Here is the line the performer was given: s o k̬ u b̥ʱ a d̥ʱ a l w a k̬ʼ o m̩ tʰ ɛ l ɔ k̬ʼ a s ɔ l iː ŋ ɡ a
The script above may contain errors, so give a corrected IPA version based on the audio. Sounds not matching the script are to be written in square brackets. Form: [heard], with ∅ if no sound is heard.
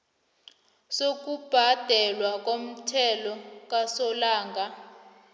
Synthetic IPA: s o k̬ u b̥ʱ a d̥ʱ [ɛ] l w a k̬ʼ o m̩ tʰ ɛ l ɔ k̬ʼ a s ɔ l [aː] ŋ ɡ a